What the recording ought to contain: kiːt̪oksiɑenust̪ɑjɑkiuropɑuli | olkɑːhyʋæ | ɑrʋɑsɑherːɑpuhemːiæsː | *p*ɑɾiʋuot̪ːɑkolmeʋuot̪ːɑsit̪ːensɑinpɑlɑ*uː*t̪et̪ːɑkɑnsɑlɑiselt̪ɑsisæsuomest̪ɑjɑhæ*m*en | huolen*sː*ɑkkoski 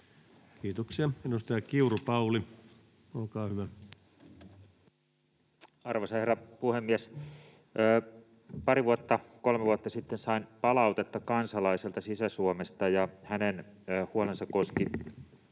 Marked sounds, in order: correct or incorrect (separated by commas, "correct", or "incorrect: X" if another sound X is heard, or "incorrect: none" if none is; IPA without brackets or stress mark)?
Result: correct, incorrect: u, incorrect: n, incorrect: s